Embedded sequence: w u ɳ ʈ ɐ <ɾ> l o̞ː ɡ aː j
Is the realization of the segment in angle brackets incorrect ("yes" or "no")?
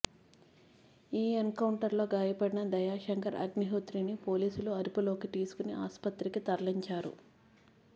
no